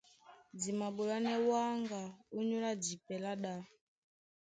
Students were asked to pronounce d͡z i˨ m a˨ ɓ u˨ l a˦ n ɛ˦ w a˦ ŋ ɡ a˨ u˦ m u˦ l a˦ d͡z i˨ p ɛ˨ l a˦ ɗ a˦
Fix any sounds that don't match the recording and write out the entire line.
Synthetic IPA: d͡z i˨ m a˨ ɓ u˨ l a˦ n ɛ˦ w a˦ ŋ ɡ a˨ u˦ ɲ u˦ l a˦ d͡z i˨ p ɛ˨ l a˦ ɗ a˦